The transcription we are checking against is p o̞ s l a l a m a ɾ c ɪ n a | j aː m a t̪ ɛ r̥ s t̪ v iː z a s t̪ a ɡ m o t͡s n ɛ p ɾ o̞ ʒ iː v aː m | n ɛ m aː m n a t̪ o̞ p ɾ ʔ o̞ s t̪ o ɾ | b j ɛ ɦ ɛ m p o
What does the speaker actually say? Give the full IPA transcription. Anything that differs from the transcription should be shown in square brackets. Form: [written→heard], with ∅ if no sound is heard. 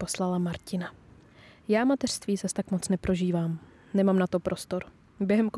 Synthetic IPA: p o̞ s l a l a m a ɾ c ɪ n a | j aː m a t̪ ɛ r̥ s t̪ v iː z a s t̪ a [ɡ→k] m o t͡s n ɛ p ɾ o̞ ʒ iː v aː m | n ɛ m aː m n a t̪ o̞ p ɾ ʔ o̞ s t̪ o ɾ | b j ɛ ɦ ɛ m [p→k] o